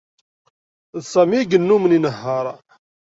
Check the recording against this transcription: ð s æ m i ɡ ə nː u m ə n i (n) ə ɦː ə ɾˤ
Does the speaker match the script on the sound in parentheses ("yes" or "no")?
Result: yes